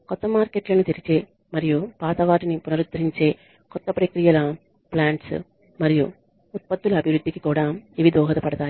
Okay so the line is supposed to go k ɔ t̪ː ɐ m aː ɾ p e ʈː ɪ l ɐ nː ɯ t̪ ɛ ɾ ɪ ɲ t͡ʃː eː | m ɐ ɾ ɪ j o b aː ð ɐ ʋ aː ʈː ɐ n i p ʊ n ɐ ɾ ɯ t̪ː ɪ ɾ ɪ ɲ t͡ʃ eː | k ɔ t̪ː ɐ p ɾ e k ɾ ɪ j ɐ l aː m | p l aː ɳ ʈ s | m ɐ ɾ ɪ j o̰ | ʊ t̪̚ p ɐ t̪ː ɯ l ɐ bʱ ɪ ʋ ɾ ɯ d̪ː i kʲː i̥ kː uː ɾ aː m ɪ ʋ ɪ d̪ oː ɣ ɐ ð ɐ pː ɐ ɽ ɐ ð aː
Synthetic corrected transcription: k ɔ t̪ː ɐ m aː ɾ k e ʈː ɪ l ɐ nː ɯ t̪ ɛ ɾ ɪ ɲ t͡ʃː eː | m ɐ ɾ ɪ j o p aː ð ɐ ʋ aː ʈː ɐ n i p ʊ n ɐ ɾ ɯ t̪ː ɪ ɾ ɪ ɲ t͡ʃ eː | k ɔ t̪ː ɐ p ɾ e k ɾ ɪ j ɐ l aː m | p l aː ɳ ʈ s | m ɐ ɾ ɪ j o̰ | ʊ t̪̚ p ɐ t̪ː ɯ l ɐ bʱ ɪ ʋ ɾ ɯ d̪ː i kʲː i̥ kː uː ɽ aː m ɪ ʋ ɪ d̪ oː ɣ ɐ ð ɐ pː ɐ ɽ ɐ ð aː